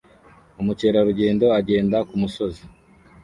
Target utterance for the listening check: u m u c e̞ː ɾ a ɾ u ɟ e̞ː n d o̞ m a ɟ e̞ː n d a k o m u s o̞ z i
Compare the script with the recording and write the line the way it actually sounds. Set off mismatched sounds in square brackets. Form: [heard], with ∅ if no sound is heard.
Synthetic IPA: u m u c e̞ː ɾ a ɾ u ɟ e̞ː n d o̞ [∅] a ɟ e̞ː n d a k [u] m u s o̞ z i